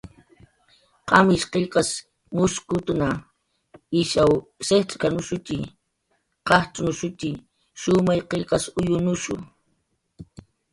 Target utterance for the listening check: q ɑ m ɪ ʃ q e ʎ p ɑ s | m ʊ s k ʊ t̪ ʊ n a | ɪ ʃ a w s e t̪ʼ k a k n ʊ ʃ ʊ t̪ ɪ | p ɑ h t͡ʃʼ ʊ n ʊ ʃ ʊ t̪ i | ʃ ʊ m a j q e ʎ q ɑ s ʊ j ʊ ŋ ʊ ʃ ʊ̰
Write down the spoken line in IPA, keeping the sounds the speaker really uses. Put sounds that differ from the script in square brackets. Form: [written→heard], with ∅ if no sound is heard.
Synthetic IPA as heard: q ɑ m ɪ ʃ q e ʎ [p→q] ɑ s | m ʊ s k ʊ t̪ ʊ n a | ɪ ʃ a w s e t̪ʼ k a [k→∅] n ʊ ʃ ʊ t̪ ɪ | [p→q] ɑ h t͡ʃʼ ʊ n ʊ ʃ ʊ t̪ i | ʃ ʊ m a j q e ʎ q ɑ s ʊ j ʊ [ŋ→n] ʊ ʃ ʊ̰